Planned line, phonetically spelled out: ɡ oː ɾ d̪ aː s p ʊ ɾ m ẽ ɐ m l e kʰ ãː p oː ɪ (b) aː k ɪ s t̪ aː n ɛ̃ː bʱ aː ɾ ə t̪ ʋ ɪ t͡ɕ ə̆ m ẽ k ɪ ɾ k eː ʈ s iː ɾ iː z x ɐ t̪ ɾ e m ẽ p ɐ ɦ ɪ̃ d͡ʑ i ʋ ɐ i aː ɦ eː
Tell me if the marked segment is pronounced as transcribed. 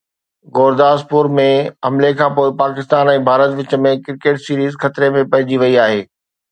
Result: no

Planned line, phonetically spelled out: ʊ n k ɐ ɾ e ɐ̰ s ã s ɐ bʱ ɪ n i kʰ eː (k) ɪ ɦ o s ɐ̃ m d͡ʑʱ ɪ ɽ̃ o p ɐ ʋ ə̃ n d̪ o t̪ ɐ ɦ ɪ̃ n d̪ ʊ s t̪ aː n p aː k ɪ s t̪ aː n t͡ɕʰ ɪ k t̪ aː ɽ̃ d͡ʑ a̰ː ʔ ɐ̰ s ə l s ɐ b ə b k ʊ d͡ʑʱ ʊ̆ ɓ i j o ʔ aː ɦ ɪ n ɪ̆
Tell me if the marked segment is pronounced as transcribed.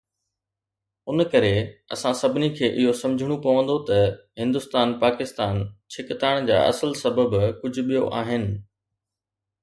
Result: no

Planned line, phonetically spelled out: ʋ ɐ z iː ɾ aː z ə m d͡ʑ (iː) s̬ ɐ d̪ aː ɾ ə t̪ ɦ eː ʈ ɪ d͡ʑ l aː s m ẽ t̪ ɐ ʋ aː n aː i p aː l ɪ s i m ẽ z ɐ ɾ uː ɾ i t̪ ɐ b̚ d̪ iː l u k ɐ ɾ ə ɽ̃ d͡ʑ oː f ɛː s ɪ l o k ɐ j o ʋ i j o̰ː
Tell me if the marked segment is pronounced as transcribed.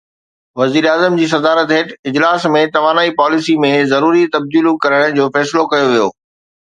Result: yes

